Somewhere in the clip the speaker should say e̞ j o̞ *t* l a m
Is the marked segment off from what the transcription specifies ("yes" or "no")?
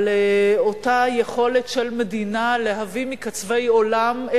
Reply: yes